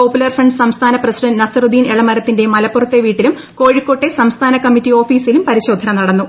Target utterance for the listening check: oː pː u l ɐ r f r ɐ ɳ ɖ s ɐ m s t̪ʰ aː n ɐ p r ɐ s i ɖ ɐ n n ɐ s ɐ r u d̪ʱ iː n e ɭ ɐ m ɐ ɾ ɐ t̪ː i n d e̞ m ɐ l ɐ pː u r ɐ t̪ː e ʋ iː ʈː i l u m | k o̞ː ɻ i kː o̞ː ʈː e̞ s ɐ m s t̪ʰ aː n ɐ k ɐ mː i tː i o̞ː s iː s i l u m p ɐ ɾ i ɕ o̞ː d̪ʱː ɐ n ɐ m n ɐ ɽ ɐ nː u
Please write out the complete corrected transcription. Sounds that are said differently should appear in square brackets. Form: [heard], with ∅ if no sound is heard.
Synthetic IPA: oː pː u l ɐ r f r ɐ ɳ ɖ s ɐ m s t̪ʰ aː n ɐ p r ɐ s i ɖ ɐ n n ɐ s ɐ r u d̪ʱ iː n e ɭ ɐ m ɐ ɾ ɐ t̪ː i n d e̞ m ɐ l ɐ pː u r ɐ t̪ː e ʋ iː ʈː i l u m | k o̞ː ɻ i kː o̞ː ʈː e̞ s ɐ m s t̪ʰ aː n ɐ k ɐ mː i tː i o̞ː [f] iː s i l u m p ɐ ɾ i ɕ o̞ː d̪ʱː ɐ n ɐ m n ɐ ɽ ɐ nː u